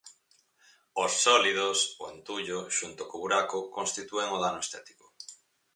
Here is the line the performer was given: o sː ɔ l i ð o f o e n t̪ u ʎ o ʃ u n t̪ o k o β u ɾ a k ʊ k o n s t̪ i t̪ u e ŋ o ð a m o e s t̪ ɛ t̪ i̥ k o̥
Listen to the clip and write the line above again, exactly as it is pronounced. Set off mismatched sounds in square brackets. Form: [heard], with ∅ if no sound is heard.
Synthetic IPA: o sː ɔ l i ð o [s] o e n t̪ u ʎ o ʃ u n t̪ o k o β u ɾ a k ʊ k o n s t̪ i t̪ u e ŋ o ð a [n] o e s t̪ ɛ t̪ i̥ k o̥

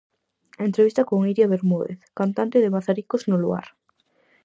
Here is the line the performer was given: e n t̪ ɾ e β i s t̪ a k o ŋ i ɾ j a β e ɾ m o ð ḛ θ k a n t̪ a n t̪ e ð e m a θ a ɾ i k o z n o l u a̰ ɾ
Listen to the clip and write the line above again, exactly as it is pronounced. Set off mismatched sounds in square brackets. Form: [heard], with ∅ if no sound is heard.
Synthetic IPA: e n t̪ ɾ e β i s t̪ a k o ŋ i ɾ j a β e ɾ m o ð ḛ θ k a n t̪ a n t̪ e ð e m a θ a ɾ i k o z n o l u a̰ ɾ

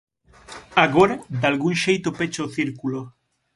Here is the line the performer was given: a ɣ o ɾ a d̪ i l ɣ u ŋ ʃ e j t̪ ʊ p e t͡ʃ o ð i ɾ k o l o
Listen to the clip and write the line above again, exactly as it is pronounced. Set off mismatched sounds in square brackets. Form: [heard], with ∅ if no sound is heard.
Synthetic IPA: a ɣ o ɾ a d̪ [a] l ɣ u ŋ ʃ e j t̪ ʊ p e t͡ʃ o [θ] i ɾ k [u] l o

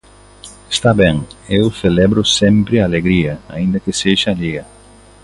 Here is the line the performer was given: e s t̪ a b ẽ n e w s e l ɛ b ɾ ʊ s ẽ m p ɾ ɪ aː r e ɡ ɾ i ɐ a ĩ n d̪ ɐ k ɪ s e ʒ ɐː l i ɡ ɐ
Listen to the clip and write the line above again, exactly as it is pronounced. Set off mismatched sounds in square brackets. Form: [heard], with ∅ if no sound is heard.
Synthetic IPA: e s t̪ a b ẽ [ŋ] e w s e l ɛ b ɾ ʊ s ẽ m p ɾ ɪ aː [l] e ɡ ɾ i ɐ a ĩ n d̪ ɐ k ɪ s e ʒ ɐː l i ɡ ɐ

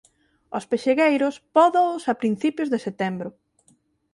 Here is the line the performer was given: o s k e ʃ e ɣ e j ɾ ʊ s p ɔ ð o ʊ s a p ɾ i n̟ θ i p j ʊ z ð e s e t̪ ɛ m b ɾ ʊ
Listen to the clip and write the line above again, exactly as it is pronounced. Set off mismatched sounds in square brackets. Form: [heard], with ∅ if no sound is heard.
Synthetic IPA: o s [p] e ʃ e ɣ e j ɾ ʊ s p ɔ ð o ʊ s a p ɾ i n̟ θ i p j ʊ z ð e s e t̪ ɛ m b ɾ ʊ

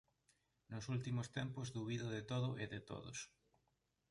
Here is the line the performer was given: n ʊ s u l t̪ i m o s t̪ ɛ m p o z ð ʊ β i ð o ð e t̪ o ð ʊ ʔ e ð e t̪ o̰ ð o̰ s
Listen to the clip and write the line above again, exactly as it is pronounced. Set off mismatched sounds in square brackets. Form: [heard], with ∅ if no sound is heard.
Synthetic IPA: n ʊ s u l t̪ i m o s t̪ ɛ m p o z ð [u] β i ð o ð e t̪ o ð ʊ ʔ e ð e t̪ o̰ ð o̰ s

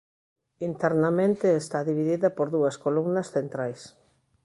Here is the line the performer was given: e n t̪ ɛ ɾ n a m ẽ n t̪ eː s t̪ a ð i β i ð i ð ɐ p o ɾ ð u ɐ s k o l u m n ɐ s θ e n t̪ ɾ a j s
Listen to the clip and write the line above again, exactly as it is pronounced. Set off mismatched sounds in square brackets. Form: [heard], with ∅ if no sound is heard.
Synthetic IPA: [i] n t̪ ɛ ɾ n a m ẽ n t̪ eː s t̪ a ð i β i ð i ð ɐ p o ɾ ð u ɐ s k o l u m n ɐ s θ e n t̪ ɾ a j s

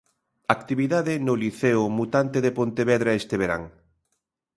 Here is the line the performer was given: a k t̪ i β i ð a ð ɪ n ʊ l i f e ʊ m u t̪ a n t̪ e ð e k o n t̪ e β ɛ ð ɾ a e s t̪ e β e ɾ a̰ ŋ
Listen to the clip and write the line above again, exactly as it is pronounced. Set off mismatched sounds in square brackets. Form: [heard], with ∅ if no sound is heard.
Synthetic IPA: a k t̪ i β i ð a ð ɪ n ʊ l i [θ] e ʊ m u t̪ a n t̪ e ð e [p] o n t̪ e β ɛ ð ɾ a e s t̪ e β e ɾ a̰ ŋ

